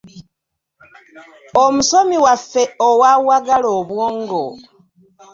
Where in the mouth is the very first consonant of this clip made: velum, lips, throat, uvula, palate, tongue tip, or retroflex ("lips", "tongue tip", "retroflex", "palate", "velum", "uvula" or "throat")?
lips